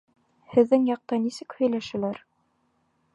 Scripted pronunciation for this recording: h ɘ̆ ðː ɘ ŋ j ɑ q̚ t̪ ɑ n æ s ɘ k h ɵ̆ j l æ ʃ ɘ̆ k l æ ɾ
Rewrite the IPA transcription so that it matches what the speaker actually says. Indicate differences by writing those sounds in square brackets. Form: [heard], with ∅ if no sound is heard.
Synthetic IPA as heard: h ɘ̆ ðː ɘ ŋ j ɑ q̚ t̪ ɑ n [i] s ɘ k h ɵ̆ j l æ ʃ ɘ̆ [∅] l æ ɾ